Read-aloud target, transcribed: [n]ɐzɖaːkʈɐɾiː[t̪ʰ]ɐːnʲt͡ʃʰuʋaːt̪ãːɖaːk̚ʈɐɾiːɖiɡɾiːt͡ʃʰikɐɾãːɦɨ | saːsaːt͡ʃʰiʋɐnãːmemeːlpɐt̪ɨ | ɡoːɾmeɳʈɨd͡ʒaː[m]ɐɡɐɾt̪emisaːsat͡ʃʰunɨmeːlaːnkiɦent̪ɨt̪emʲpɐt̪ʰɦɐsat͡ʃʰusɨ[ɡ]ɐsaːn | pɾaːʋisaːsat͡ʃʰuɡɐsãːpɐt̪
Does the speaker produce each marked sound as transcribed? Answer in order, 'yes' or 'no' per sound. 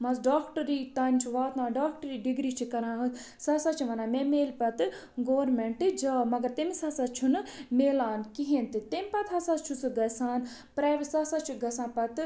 no, no, yes, yes

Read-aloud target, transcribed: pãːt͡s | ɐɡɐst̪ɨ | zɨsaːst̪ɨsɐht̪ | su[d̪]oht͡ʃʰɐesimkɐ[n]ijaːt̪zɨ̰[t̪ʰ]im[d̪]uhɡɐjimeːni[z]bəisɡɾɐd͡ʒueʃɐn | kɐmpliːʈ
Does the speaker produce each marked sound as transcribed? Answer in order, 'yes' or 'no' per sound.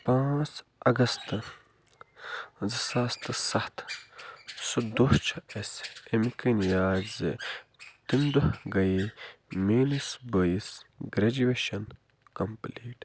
yes, yes, no, yes, no

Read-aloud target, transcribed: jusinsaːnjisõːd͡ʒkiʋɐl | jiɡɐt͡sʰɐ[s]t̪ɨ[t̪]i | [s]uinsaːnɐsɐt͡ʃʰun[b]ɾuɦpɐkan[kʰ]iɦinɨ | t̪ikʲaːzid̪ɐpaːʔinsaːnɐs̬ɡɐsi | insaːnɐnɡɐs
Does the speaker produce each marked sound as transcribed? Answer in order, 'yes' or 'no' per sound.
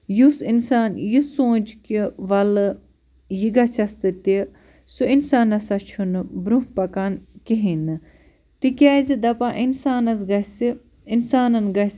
yes, yes, yes, yes, no

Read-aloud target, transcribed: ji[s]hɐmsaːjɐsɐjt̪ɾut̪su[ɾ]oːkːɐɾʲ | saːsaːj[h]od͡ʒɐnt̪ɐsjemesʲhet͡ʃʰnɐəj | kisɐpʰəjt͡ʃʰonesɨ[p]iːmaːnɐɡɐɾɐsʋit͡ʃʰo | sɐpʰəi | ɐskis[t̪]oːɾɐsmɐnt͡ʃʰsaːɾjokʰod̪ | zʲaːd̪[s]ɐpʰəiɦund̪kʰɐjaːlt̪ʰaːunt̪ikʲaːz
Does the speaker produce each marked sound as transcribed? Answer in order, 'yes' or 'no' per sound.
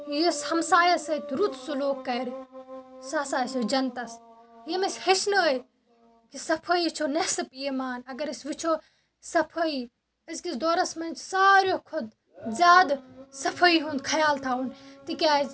yes, no, no, yes, no, yes

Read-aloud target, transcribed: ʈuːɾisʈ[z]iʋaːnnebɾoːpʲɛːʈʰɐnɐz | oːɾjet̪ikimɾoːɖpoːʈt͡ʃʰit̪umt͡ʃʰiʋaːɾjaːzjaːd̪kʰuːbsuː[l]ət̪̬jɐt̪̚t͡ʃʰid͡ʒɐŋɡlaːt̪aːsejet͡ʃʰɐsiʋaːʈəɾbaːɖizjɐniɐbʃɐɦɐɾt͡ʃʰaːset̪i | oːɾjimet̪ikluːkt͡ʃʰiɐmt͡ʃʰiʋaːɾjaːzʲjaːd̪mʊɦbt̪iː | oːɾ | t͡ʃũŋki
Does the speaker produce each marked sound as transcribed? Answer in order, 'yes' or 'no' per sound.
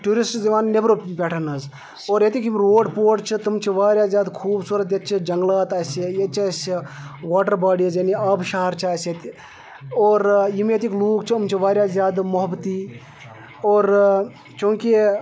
yes, no

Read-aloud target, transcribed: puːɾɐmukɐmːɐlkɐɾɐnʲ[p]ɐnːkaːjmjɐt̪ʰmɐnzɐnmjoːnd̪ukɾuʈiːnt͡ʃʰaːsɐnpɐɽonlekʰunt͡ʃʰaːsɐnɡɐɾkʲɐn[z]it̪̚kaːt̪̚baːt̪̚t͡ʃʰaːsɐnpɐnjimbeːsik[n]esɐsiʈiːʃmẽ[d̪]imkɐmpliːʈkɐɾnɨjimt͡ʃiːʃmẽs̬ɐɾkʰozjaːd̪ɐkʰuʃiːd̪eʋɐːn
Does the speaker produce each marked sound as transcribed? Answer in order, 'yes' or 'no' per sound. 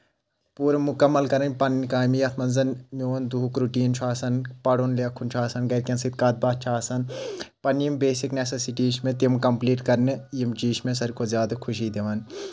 yes, no, yes, no

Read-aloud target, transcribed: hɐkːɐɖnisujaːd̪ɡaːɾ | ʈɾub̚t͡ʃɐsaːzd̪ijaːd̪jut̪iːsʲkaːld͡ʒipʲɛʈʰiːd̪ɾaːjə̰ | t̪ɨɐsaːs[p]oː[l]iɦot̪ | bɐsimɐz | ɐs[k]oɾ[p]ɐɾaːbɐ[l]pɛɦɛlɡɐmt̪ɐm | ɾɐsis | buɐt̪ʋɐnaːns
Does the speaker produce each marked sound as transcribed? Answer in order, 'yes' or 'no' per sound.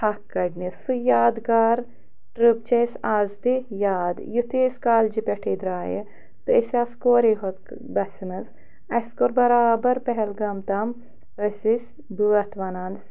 no, no, yes, no, no

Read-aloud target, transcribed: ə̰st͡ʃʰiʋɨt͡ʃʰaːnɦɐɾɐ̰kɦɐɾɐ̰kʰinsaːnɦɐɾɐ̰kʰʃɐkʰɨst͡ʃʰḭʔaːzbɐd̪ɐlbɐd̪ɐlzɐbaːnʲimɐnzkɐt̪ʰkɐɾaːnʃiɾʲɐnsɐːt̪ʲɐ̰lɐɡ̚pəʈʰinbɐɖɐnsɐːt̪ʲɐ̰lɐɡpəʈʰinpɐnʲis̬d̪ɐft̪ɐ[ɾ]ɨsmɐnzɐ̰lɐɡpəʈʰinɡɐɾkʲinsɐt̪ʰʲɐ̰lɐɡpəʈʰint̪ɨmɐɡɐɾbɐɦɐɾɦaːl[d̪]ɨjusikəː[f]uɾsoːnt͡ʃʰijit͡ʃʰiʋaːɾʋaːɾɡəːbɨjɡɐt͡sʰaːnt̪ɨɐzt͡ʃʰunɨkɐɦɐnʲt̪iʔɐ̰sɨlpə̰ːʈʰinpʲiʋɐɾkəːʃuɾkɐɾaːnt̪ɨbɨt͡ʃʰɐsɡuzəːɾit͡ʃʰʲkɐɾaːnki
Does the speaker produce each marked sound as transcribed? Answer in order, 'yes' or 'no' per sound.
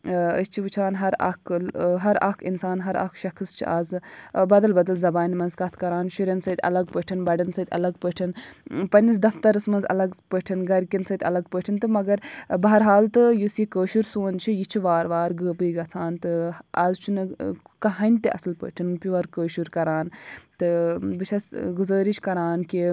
yes, no, no

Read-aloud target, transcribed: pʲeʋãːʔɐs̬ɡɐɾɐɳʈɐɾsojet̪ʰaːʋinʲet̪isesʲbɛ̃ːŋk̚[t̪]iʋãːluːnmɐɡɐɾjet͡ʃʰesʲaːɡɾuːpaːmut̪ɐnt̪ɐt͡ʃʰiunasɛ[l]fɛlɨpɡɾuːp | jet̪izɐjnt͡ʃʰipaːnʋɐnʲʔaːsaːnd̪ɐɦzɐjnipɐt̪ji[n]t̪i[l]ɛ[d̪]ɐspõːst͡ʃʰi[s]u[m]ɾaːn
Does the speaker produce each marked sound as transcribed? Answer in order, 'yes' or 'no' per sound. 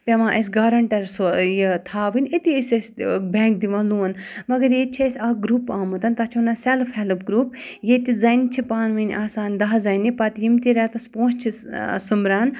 no, yes, no, no, no, yes, yes

